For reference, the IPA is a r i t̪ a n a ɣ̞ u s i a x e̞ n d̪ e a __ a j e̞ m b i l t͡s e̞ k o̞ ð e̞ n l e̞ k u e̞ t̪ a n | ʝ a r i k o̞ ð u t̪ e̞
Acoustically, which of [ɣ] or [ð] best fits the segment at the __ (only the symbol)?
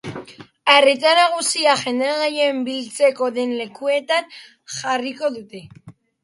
ɣ